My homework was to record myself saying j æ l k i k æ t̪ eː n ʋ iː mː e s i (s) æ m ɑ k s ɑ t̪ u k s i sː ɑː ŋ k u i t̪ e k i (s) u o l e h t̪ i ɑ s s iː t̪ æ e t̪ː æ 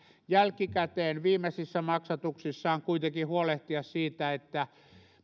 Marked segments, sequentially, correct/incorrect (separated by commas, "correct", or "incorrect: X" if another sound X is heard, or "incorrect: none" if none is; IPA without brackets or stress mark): incorrect: sː, incorrect: h